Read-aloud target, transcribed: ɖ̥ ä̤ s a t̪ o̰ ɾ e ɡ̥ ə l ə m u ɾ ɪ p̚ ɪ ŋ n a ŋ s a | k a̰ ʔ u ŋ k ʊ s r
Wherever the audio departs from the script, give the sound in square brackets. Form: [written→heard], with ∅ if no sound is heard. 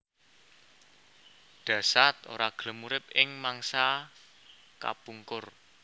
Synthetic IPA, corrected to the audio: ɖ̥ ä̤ s a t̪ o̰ ɾ [e→a] ɡ̥ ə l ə m u ɾ ɪ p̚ ɪ ŋ [n→m] a ŋ s a | k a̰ [ʔ→p] u ŋ k ʊ [s→∅] r